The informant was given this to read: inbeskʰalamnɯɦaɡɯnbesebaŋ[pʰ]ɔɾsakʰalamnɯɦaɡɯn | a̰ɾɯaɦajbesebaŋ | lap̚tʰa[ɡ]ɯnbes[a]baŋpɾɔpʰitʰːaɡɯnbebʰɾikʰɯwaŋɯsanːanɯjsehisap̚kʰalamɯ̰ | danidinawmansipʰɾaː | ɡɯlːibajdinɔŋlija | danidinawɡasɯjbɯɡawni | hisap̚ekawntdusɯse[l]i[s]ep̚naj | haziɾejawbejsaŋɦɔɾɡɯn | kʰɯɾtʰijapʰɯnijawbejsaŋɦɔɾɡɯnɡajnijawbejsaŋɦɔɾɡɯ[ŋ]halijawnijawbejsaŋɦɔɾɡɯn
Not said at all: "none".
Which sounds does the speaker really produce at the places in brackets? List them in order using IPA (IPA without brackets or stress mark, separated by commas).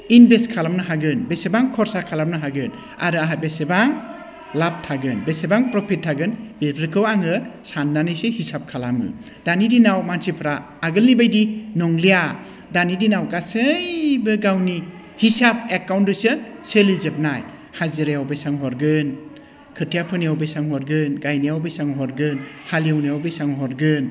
kʰ, ɡ, e, l, z, n